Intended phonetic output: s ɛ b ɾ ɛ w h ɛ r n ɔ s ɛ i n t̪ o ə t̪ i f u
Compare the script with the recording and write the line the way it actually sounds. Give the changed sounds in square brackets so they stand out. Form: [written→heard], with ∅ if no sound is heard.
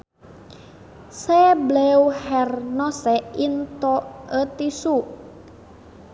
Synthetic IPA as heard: s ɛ b [ɾ→l] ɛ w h ɛ r n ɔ s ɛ i n t̪ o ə t̪ i [f→s] u